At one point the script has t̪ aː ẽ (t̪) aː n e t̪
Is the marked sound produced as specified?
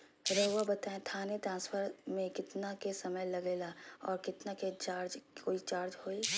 no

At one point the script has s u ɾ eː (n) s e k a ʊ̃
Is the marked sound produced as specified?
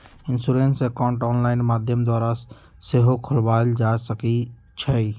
yes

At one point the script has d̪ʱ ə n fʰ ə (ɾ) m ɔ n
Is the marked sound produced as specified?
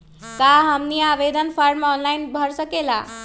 yes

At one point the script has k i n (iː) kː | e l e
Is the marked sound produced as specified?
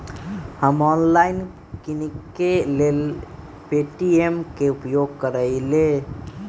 no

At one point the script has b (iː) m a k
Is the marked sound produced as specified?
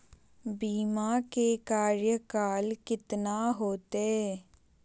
yes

